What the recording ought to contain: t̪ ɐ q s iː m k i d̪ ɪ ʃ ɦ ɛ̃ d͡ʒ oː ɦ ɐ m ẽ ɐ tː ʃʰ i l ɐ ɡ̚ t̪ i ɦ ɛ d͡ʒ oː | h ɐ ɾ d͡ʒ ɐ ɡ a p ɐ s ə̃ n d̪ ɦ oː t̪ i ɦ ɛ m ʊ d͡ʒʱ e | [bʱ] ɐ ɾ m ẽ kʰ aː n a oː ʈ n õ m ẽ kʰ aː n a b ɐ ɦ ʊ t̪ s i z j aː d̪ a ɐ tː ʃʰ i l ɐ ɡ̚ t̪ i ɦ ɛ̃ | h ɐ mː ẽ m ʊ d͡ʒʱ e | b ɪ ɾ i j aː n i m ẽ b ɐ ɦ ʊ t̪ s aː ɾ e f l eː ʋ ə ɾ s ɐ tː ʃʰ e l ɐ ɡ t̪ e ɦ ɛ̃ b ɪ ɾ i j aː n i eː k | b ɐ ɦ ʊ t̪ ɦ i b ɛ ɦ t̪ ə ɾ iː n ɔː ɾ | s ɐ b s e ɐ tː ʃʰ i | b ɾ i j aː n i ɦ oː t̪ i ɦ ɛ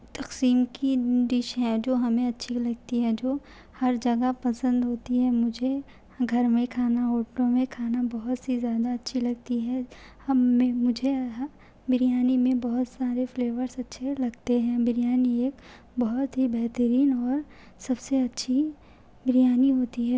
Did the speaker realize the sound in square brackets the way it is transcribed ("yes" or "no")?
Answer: no